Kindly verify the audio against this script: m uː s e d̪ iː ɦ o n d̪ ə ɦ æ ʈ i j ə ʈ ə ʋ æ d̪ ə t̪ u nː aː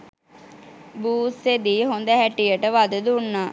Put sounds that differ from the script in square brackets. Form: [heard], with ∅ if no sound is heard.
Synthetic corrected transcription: [b] uː s e d̪ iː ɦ o n d̪ ə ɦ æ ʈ i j ə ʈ ə ʋ [a] d̪ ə [d̪] u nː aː